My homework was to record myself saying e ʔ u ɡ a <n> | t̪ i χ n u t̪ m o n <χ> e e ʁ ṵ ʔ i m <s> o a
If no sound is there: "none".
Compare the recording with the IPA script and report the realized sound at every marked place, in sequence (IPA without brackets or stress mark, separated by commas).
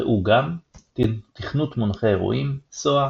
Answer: m, χ, s